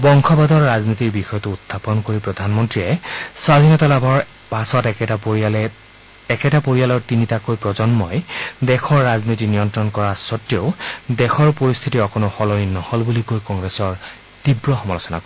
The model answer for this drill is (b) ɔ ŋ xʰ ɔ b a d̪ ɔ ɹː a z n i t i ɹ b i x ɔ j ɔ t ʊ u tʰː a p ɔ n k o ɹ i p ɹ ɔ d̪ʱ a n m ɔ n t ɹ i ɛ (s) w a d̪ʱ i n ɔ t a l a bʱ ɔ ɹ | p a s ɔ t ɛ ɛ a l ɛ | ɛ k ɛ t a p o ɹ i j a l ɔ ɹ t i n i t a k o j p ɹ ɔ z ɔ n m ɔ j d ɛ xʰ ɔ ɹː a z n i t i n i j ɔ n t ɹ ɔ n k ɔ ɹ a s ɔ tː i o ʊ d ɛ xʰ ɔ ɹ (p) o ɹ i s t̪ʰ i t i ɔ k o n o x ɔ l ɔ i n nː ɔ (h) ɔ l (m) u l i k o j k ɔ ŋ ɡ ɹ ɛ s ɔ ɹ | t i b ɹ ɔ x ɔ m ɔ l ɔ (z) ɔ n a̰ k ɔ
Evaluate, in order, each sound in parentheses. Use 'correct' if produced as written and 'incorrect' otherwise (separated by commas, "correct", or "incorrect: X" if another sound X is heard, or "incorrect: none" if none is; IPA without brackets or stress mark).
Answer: correct, correct, correct, correct, incorrect: b, incorrect: s